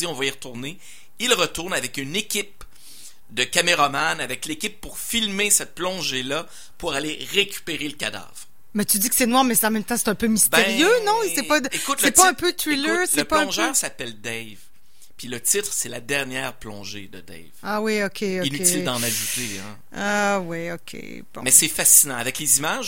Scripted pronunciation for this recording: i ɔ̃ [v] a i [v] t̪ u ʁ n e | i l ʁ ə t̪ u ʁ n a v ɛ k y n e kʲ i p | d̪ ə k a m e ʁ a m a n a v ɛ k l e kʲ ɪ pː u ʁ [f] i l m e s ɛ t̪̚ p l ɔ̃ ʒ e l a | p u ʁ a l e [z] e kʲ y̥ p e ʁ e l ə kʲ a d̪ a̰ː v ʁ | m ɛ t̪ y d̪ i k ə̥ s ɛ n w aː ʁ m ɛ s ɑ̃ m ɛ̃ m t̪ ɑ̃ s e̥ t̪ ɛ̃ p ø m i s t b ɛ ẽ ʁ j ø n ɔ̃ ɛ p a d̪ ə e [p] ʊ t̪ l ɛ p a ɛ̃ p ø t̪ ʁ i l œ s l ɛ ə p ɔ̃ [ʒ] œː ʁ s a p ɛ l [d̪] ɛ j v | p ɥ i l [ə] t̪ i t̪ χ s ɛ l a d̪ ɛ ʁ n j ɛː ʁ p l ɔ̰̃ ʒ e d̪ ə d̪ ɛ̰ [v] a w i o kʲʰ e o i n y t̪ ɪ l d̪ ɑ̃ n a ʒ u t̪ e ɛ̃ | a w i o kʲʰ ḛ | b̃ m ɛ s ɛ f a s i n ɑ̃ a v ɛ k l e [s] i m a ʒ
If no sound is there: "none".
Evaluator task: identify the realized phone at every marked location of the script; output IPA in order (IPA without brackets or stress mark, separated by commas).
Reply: v, ʁ, f, ʁ, k, ʒ, d̪, ə, v, z